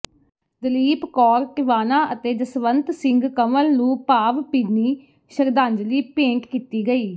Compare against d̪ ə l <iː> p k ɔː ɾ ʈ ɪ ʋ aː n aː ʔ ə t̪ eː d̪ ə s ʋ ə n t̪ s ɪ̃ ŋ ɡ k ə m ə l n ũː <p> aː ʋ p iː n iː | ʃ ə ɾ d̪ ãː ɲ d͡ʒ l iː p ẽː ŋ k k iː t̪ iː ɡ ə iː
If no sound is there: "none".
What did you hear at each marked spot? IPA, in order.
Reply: iː, p

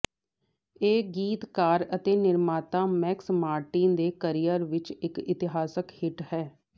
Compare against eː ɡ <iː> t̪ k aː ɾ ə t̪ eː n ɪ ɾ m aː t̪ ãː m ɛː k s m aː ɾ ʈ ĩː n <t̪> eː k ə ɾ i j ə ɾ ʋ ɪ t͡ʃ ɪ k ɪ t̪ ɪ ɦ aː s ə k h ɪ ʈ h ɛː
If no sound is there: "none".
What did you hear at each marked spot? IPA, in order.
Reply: iː, d̪

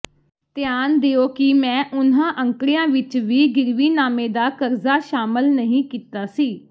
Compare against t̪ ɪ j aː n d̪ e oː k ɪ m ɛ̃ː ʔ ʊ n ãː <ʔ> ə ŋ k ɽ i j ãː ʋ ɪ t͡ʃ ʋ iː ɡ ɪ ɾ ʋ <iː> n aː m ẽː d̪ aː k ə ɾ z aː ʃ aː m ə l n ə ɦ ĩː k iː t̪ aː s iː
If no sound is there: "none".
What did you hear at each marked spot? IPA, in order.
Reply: ʔ, iː

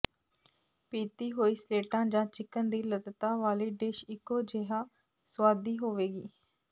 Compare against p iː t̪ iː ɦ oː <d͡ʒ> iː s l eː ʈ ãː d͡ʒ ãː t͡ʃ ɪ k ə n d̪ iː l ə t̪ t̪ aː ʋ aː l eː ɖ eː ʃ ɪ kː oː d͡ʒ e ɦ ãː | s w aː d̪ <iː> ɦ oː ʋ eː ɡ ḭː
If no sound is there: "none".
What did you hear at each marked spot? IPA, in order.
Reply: none, iː

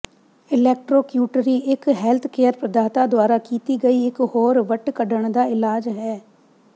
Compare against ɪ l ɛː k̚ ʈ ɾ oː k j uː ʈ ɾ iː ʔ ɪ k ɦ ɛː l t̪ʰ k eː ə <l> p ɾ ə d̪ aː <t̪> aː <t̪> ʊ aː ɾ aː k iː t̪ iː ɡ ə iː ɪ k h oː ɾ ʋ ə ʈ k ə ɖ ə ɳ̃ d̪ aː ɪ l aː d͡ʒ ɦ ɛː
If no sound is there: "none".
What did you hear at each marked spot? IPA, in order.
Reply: ɾ, t̪, d̪

